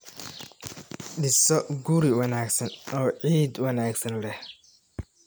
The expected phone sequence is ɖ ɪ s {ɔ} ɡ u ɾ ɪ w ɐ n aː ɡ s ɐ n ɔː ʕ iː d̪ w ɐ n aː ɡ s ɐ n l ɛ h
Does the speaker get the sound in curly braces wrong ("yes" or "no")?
no